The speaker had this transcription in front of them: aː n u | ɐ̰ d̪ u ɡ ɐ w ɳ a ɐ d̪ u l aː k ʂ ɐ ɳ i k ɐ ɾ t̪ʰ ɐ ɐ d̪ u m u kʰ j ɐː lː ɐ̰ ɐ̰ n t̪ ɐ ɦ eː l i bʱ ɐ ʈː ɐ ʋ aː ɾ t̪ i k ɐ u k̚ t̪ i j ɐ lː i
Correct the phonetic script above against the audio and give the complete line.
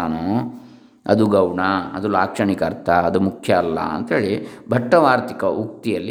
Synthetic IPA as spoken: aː n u | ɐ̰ d̪ u ɡ ɐ w ɳ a ɐ d̪ u l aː k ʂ ɐ ɳ i k ɐ ɾ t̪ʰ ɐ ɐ d̪ u m u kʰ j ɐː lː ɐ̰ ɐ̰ n t̪ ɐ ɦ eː ɭ i bʱ ɐ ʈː ɐ ʋ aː ɾ t̪ i k ɐ u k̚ t̪ i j ɐ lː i